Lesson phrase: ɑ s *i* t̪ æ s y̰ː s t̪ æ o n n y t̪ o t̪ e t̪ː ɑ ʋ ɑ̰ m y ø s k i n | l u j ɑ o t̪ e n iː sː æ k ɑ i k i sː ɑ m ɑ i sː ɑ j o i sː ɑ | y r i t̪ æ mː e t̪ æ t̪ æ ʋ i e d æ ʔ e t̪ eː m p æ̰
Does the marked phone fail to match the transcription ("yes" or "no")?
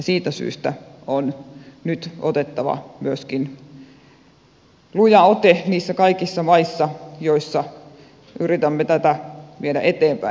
yes